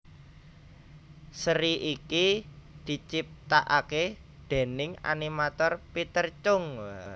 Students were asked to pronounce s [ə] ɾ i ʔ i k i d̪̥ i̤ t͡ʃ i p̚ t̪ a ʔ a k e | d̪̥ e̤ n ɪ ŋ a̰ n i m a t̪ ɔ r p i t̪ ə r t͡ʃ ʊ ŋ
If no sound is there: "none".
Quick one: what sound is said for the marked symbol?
ə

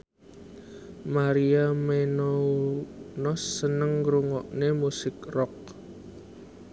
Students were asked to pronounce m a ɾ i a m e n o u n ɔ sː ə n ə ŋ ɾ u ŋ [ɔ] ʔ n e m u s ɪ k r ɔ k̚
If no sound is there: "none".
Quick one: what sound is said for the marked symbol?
ɔ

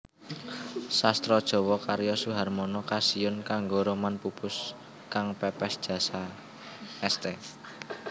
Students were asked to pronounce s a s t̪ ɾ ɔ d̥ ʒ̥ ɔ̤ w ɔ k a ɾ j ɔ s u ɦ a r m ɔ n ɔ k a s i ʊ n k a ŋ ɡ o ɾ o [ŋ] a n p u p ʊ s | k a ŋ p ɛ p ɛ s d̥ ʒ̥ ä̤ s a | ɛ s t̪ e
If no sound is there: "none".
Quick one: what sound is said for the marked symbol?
m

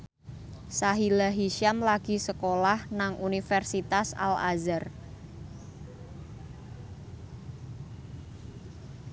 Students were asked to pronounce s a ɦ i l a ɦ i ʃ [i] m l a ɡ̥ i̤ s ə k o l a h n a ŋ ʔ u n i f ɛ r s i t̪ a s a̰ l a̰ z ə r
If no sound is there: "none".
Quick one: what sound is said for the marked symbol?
a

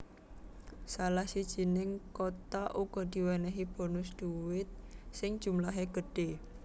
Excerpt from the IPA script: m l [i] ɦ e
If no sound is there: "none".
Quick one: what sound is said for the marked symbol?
a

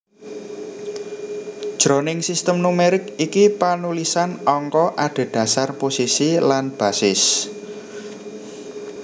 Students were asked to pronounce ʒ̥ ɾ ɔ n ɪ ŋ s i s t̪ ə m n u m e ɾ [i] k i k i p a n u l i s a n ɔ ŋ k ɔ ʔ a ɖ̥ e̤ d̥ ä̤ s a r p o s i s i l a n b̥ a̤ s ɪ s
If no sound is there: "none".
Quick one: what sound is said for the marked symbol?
ɪ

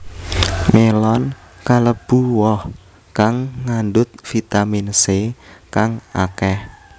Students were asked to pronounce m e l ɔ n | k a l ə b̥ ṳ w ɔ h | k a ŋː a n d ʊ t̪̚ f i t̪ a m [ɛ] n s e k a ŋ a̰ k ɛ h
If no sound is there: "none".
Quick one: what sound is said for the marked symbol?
i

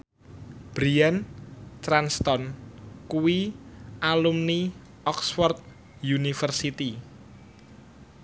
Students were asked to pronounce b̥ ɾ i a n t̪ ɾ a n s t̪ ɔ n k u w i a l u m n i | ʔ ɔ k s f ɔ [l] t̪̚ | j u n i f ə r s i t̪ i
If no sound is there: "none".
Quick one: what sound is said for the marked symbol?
r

